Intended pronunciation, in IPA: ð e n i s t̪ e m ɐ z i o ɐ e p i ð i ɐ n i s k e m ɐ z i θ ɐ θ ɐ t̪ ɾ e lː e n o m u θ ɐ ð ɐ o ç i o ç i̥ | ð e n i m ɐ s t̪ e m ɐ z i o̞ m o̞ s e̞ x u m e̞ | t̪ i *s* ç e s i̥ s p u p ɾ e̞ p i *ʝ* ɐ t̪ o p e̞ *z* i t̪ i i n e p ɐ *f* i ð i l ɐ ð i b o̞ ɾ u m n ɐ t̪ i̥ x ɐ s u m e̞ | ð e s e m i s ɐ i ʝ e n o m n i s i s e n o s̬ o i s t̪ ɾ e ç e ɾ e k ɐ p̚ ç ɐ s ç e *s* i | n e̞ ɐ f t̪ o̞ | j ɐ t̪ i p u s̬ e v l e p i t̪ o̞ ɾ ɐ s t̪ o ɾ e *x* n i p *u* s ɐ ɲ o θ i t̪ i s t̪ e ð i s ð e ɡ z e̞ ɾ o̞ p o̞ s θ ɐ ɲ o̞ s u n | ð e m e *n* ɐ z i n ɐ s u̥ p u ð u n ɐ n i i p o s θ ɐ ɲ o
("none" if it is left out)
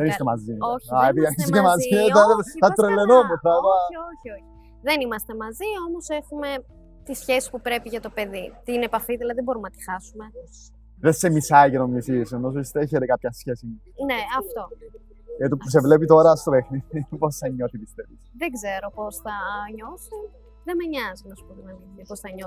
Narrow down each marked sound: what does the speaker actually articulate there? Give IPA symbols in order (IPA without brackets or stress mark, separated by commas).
s, ʝ, ð, f, s, x, o, ɲ